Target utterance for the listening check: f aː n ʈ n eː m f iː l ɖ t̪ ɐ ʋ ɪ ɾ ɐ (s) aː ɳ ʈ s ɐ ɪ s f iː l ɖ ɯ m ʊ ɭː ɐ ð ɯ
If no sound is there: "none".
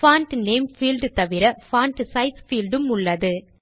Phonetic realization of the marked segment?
f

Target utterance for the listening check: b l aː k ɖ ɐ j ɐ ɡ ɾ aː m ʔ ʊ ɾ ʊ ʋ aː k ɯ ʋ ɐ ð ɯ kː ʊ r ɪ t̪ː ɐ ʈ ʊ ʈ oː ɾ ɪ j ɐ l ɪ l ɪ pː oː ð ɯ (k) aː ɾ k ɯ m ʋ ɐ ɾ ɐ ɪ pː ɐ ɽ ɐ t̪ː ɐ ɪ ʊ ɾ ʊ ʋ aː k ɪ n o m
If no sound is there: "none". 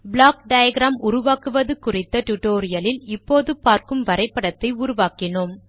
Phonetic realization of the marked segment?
p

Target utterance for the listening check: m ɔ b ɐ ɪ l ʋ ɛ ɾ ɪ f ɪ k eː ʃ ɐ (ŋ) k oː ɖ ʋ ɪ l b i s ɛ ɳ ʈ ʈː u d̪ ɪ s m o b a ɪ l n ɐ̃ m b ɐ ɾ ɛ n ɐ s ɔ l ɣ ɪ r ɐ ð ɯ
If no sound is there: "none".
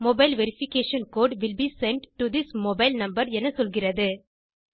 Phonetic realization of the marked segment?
n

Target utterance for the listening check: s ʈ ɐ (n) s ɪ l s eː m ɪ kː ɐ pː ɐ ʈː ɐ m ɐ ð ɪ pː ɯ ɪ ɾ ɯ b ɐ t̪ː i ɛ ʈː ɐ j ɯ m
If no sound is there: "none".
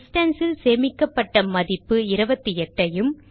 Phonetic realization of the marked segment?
n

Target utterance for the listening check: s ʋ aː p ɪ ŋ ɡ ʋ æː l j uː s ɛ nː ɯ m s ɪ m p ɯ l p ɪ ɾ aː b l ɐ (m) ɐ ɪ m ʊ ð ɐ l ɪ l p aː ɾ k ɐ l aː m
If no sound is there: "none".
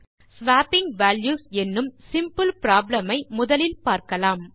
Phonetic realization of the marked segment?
m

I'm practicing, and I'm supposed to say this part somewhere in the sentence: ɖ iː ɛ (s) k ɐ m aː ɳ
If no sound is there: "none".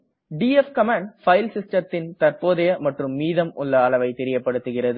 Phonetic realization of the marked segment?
f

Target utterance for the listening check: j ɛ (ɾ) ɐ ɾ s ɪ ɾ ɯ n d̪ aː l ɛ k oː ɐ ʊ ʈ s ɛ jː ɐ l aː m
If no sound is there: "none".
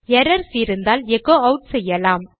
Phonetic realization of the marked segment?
ɾ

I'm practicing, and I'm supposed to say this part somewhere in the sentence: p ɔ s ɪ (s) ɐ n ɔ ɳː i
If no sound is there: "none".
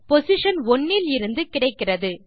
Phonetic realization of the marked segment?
ʂ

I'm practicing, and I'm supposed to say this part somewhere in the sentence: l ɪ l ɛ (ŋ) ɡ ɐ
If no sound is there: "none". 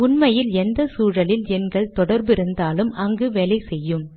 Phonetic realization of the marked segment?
n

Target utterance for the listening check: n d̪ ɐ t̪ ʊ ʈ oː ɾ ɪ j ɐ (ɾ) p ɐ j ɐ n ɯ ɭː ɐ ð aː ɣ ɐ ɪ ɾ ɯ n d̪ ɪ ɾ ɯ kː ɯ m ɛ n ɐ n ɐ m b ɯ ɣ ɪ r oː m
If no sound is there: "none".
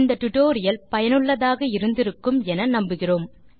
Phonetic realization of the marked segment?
l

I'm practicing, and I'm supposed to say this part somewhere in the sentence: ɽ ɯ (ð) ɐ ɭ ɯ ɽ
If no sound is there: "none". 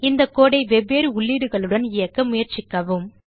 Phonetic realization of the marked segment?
ɣ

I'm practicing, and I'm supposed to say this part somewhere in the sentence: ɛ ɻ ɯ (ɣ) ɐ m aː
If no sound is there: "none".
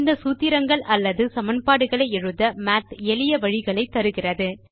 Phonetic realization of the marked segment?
ð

